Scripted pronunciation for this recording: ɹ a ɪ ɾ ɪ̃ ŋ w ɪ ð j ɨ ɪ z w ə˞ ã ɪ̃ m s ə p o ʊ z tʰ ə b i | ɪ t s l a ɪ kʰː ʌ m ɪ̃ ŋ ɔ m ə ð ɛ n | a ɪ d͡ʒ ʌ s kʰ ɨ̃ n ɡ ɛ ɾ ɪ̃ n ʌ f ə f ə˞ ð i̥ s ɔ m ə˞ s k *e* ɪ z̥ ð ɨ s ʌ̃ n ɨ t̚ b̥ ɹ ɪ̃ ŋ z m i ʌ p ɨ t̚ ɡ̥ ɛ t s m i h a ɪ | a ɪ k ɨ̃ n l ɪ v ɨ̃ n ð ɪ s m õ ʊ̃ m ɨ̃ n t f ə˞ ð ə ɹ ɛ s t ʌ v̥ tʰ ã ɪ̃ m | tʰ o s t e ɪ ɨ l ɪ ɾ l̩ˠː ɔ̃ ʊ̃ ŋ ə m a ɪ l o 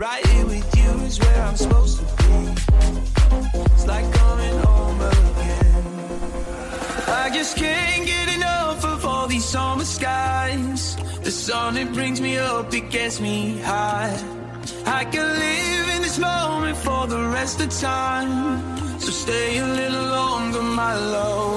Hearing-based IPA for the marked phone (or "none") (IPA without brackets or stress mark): a